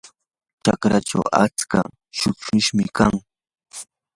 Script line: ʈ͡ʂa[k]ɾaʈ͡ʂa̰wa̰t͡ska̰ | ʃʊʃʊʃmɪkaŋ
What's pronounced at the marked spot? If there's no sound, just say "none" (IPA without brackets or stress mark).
k